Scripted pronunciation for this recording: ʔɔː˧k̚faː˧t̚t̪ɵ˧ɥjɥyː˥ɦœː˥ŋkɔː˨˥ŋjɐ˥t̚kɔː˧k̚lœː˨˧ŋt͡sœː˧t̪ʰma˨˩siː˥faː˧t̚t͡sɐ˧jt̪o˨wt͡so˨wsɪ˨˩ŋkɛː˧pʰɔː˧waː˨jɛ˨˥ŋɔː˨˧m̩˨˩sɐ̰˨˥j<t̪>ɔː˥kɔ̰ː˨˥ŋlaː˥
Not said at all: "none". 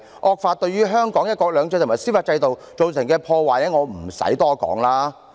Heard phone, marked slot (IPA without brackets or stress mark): t̪